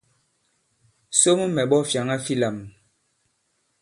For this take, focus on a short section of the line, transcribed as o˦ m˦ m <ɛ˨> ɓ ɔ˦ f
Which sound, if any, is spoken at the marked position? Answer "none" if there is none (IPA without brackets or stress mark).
ɛ˨